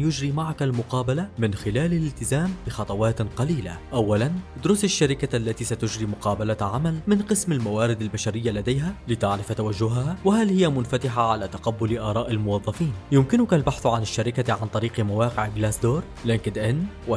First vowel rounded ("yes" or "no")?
yes